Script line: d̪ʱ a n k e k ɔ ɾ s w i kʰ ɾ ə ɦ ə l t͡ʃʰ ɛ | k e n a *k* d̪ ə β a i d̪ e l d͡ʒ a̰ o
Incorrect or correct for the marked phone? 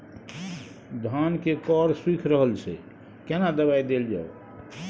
incorrect: none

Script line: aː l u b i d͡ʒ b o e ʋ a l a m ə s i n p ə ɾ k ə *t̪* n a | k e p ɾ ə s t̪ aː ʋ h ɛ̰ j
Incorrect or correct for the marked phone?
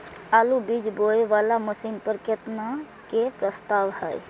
correct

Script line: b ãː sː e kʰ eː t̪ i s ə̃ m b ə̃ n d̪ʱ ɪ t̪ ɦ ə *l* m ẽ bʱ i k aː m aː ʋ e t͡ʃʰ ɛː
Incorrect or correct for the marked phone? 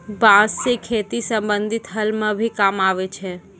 correct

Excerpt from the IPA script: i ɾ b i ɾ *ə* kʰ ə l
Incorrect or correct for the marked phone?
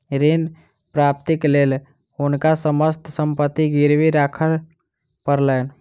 incorrect: a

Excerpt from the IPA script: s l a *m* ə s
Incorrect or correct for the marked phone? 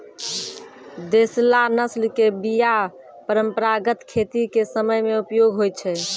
incorrect: n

